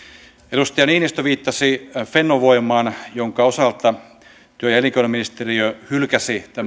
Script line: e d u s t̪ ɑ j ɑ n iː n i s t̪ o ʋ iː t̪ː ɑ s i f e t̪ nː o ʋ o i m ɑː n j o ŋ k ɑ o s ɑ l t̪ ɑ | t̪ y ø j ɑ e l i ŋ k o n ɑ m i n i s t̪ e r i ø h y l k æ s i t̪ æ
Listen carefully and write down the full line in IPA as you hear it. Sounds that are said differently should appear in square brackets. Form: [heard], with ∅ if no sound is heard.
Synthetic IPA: e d u s t̪ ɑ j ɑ n iː n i s t̪ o ʋ iː t̪ː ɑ s i f e [∅] nː o ʋ o i m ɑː n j o ŋ k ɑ o s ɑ l t̪ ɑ | t̪ y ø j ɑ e l i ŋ k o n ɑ m i n i s t̪ e r i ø h y l k æ s i t̪ æ